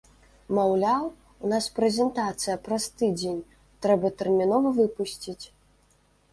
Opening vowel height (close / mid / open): open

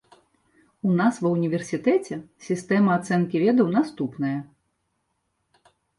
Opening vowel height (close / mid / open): close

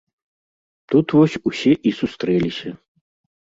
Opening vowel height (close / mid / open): close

